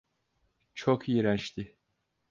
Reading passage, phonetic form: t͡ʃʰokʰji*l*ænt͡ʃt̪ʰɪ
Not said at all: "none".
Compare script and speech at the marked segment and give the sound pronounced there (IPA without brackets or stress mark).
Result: ɾ